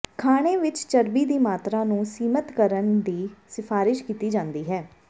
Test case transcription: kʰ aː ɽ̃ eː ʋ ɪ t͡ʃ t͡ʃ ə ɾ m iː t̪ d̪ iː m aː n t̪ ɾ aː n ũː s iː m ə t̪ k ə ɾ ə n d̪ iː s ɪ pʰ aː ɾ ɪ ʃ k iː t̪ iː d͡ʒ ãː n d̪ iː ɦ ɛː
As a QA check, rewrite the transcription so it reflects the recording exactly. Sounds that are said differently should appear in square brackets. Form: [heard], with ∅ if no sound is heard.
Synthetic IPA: kʰ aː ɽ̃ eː ʋ ɪ t͡ʃ t͡ʃ ə ɾ [b] iː [∅] d̪ iː m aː [∅] t̪ ɾ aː n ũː s iː m ə t̪ k ə ɾ ə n d̪ iː s ɪ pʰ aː ɾ ɪ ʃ k iː t̪ iː d͡ʒ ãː n d̪ iː ɦ ɛː